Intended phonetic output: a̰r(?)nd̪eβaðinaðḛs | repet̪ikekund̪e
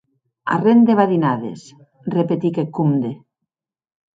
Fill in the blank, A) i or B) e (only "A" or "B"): B